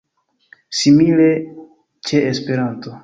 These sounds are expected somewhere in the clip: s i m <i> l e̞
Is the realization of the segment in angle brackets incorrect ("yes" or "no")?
no